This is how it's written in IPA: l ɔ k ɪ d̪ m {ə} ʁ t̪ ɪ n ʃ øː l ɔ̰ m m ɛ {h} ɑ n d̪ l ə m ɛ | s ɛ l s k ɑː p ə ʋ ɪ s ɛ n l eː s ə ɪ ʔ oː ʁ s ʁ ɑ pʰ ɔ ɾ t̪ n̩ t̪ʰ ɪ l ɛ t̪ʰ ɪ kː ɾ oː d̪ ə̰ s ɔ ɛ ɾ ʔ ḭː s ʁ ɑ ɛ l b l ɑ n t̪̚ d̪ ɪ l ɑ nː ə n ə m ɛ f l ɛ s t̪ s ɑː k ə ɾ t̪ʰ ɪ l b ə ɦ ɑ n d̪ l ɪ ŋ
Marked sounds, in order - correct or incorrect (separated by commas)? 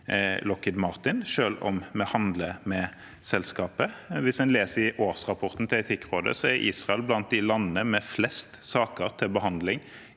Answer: incorrect, correct